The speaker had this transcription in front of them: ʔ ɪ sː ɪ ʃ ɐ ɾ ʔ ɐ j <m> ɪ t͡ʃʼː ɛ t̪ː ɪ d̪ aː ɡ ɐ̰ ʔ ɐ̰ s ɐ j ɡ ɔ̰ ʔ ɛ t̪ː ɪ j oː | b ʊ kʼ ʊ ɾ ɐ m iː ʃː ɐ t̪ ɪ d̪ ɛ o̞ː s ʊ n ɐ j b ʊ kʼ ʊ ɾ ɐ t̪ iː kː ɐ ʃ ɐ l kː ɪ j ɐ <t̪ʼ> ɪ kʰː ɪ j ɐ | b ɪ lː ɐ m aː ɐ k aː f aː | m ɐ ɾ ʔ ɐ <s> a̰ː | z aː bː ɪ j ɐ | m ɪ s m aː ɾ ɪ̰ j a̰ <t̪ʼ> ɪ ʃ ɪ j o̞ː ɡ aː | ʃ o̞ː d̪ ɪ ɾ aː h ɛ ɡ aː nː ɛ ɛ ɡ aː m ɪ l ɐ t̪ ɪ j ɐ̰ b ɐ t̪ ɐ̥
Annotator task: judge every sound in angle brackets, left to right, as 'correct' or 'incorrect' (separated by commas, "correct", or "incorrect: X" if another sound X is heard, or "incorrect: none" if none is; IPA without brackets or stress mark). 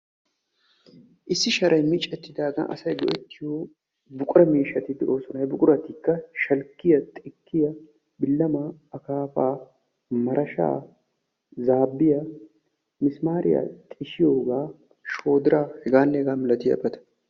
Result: correct, correct, incorrect: ʃ, correct